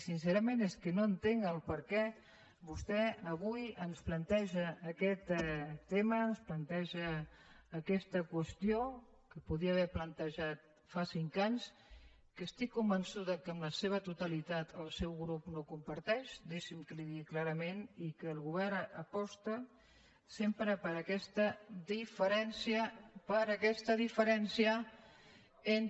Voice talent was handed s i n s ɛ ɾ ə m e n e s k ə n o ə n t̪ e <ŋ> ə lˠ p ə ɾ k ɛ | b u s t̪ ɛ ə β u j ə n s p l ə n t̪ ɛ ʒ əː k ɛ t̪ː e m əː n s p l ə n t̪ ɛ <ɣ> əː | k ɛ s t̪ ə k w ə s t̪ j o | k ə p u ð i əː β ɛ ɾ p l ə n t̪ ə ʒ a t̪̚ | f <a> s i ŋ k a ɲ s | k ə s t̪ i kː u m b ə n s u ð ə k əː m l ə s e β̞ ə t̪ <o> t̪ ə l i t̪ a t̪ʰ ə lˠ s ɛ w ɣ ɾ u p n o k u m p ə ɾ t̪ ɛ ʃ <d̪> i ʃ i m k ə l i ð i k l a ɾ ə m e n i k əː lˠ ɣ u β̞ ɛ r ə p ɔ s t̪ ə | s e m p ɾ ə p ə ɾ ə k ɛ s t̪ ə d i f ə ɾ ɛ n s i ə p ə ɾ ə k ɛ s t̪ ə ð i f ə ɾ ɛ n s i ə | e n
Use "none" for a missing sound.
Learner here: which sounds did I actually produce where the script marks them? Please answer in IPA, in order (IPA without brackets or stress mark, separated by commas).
ŋ, ʒ, a, u, d̪